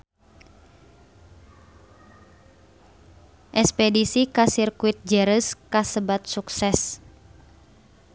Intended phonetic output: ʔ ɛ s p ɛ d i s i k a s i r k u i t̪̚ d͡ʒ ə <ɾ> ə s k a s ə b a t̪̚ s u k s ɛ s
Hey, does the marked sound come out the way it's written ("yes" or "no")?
yes